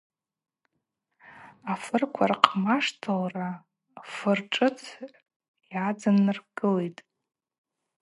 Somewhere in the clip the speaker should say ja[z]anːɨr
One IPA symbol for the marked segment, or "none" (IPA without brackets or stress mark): d͡z